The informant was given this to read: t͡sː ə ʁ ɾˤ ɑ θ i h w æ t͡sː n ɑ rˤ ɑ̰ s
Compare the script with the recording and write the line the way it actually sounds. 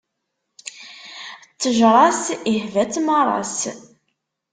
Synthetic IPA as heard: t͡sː ə ʒ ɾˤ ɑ s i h v æ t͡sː m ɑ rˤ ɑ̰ s

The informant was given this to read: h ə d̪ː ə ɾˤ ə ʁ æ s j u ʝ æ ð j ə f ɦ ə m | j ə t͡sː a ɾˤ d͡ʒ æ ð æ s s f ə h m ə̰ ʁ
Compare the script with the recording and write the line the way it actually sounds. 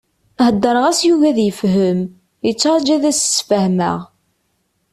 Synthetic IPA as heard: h ə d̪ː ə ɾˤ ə ʁ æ s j u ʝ æ ð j ə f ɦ ə m | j ə t͡sː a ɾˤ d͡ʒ æ ð æ s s f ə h m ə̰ ʁ

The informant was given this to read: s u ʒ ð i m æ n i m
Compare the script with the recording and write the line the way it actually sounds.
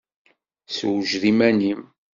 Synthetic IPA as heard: s w ʒ ð i m æ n i m

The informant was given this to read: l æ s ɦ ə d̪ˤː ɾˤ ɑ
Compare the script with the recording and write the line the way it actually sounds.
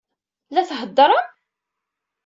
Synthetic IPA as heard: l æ θ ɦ ə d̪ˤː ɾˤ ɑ

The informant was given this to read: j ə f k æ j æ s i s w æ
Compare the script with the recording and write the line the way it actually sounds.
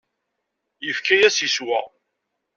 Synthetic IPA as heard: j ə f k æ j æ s i s w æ

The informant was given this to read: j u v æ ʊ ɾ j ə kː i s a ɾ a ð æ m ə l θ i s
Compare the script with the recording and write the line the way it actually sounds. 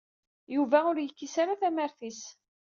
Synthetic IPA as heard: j u v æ ʊ ɾ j ə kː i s a ɾ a θ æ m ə ɾ θ i s

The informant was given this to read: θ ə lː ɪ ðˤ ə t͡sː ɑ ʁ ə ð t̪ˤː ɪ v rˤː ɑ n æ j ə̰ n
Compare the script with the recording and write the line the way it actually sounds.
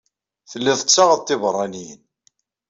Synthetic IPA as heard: θ ə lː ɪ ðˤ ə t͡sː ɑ ʁ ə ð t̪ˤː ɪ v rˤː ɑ n i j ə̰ n

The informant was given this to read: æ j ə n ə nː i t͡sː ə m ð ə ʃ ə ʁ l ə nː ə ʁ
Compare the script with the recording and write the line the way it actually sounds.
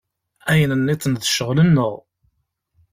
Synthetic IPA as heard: æ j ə n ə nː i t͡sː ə n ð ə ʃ ə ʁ l ə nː ə ʁ

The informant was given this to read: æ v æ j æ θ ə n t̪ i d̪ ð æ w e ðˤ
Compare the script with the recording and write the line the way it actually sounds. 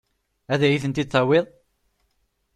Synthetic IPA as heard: æ ð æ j i θ ə n t̪ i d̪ θ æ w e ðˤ

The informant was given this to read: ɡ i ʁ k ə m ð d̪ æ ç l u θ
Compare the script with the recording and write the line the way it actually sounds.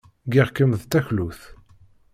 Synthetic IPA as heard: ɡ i ʁ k ə m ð t̪ æ ç l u θ

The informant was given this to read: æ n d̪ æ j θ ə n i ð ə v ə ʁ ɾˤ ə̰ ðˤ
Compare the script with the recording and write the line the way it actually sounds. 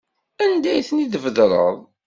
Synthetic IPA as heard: æ n d̪ æ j θ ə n i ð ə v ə ð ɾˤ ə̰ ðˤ

